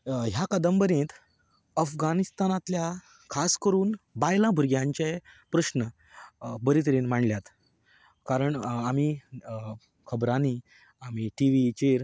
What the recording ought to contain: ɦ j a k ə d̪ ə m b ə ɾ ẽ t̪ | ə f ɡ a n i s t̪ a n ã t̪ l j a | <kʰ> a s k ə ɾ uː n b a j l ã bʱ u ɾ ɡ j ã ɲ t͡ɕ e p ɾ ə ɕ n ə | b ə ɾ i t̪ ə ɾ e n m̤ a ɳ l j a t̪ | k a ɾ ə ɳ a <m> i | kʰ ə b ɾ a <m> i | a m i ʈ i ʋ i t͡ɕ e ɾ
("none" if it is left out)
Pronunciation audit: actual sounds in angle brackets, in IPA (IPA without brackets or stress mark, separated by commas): kʰ, m, n